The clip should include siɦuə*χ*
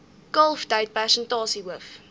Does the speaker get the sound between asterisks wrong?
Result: yes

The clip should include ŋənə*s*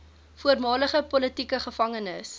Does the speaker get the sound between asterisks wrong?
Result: no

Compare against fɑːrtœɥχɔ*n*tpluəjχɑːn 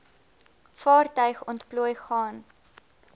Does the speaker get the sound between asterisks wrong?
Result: no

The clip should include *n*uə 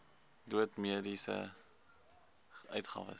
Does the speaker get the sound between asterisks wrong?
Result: yes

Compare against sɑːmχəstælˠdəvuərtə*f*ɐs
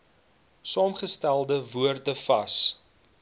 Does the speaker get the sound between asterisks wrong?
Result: no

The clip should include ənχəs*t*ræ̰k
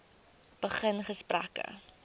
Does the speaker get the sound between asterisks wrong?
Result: yes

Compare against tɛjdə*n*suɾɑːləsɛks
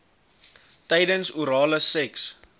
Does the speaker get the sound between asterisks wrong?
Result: no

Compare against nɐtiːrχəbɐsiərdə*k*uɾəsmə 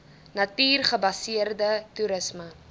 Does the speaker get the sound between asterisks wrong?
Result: yes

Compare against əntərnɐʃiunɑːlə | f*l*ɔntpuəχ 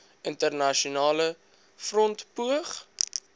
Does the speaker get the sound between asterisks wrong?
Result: yes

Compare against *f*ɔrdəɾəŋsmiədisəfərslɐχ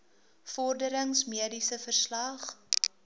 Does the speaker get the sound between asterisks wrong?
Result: no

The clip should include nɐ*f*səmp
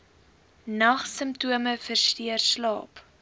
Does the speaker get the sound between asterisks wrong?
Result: yes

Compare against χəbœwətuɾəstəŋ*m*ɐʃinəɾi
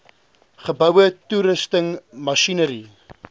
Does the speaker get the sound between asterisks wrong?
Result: no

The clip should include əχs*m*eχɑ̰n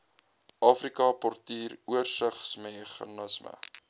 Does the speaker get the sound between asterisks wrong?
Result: no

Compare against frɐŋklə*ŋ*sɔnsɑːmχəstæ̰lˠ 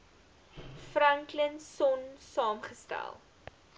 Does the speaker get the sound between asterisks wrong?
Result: yes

